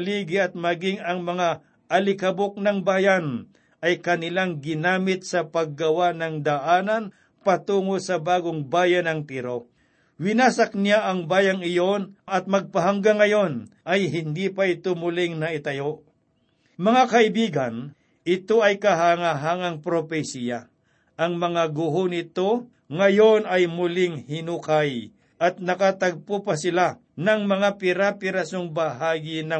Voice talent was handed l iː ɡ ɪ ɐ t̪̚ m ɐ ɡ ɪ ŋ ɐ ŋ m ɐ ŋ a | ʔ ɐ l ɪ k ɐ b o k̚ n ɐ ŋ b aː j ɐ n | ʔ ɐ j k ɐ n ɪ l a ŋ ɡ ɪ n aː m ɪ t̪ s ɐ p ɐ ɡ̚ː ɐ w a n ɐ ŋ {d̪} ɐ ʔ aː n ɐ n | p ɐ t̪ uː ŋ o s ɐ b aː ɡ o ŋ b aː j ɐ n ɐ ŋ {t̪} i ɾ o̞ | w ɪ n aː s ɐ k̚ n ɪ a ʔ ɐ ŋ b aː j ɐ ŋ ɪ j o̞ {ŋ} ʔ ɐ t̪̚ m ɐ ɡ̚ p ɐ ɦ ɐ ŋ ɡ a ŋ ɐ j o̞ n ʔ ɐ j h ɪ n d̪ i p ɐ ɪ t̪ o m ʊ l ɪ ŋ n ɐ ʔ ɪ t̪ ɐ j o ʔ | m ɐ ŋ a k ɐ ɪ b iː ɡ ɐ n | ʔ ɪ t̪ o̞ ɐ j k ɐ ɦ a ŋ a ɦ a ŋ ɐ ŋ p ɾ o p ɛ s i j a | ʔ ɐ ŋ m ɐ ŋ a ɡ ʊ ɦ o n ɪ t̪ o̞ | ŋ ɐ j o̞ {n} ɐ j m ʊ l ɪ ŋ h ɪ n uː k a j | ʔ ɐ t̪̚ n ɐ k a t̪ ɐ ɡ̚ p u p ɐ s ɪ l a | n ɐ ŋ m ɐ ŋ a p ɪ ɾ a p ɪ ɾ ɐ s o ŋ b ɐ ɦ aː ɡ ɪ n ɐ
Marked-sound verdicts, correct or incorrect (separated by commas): correct, correct, incorrect, correct